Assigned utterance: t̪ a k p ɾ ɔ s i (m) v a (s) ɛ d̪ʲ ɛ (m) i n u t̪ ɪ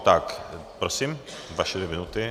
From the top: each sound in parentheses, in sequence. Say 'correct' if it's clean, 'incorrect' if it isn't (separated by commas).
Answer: correct, incorrect, correct